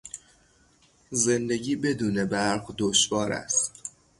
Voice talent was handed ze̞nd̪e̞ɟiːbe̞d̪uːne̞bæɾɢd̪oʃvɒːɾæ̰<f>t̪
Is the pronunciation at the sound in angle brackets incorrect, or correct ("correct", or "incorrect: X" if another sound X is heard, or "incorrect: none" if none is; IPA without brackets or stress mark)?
incorrect: s